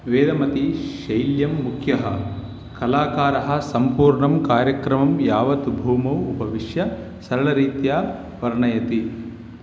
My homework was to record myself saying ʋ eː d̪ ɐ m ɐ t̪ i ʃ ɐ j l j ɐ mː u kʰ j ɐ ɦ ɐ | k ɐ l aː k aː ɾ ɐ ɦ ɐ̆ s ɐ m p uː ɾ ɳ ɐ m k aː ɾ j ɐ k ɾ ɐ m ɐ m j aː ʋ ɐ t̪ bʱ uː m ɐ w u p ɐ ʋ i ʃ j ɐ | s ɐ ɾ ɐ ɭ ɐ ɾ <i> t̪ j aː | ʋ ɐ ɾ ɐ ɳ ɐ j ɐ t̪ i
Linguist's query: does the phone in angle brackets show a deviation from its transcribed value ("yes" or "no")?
yes